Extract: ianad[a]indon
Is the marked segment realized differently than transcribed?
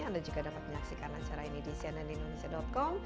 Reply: yes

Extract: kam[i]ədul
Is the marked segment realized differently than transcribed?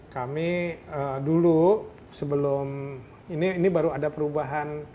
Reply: no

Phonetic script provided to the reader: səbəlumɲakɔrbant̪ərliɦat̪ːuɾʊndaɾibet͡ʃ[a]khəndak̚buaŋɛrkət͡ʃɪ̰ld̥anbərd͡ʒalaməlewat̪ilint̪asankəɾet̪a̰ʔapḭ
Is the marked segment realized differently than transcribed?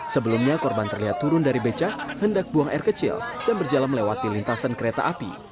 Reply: no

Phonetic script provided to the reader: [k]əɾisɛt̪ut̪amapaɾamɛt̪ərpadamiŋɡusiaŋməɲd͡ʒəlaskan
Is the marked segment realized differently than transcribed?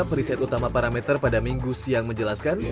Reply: yes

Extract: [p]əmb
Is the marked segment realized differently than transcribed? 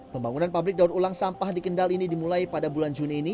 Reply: no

